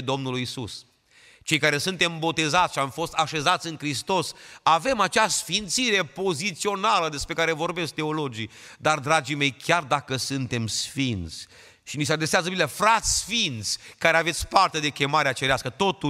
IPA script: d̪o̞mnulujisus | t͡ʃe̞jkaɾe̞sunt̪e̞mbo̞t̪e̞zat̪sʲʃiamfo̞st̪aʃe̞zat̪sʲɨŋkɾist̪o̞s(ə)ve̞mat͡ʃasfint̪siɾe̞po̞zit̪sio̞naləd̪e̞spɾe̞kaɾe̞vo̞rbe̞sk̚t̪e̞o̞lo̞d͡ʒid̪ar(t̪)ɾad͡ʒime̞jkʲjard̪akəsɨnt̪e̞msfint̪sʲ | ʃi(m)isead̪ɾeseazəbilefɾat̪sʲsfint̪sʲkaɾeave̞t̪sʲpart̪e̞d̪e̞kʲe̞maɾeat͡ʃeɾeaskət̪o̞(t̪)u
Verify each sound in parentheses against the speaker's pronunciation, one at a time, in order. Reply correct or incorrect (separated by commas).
incorrect, incorrect, incorrect, correct